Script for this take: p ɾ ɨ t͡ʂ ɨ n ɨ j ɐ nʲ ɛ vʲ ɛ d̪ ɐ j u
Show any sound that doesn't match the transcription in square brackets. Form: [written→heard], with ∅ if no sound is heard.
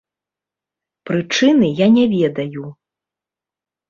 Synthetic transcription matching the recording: p ɾ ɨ t͡ʂ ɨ n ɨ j [ɐ→a] nʲ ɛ vʲ ɛ d̪ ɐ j u